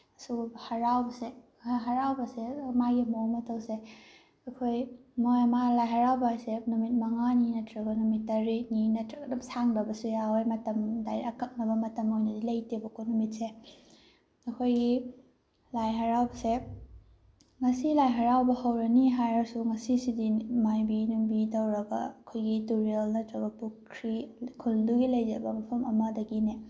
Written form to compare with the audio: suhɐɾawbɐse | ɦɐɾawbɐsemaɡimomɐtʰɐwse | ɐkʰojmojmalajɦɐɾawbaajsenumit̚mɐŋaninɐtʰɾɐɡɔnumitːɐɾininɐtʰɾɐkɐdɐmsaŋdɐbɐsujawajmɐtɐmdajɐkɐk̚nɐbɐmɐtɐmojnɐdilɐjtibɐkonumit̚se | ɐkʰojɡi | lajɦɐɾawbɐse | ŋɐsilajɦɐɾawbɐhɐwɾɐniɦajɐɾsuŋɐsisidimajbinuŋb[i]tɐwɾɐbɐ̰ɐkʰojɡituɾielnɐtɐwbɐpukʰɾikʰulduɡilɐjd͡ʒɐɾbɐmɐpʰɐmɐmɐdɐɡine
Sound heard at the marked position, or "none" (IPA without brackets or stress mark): i